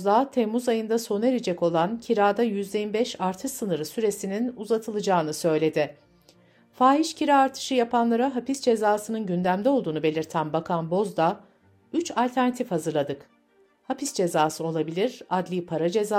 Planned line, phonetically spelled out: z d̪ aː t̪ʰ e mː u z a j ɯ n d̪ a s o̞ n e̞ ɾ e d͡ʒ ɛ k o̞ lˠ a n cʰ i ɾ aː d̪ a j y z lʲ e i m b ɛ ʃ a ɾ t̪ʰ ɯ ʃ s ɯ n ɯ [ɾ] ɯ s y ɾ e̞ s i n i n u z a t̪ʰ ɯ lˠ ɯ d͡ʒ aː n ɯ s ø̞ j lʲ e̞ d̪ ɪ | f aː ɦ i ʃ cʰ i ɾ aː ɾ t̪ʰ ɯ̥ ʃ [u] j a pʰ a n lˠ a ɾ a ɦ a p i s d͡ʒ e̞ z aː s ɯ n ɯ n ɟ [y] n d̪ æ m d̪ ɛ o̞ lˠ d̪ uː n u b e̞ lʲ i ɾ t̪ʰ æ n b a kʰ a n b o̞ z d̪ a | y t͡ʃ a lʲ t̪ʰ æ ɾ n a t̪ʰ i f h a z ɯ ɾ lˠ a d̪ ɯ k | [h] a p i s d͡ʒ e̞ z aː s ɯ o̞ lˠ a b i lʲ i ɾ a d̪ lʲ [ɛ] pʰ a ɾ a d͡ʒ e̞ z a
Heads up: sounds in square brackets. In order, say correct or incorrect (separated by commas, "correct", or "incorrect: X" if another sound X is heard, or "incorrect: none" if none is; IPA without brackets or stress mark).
correct, incorrect: ɯ, correct, correct, incorrect: i